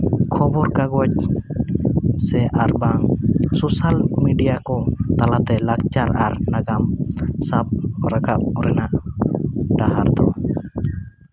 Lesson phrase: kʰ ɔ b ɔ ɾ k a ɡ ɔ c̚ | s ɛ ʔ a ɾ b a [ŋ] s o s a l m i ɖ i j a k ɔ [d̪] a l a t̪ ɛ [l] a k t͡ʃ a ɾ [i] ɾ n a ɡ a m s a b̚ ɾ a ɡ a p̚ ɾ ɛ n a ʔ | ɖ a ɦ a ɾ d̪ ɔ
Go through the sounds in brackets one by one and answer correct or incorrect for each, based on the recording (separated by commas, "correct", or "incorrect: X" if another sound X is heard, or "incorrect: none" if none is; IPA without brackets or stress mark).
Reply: correct, incorrect: t̪, correct, incorrect: a